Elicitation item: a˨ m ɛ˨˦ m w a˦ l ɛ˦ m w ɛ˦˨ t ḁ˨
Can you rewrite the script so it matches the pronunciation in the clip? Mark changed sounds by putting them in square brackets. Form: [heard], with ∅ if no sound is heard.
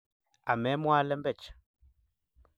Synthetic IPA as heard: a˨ m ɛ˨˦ m w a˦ l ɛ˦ m [b] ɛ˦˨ [t͡ʃ] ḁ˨